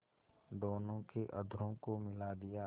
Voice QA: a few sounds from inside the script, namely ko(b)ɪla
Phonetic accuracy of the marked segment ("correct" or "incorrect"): incorrect